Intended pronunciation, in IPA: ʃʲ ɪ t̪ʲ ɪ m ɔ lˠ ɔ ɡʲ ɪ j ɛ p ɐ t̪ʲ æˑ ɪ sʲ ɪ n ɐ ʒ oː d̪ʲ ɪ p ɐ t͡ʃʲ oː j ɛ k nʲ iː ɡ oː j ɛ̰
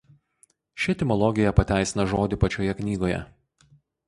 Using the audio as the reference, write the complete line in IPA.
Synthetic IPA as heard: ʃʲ ɪ t̪ʲ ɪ m ɔ lˠ ɔ ɡʲ ɪ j ɛ p ɐ t̪ʲ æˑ ɪ sʲ ɪ n ɐ ʒ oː d̪ʲ ɪ p ɐ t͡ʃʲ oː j ɛ k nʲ iː ɡ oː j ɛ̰